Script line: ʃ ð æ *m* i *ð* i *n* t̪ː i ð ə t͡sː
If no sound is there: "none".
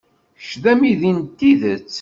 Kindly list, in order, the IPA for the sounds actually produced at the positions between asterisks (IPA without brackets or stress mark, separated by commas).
m, ð, n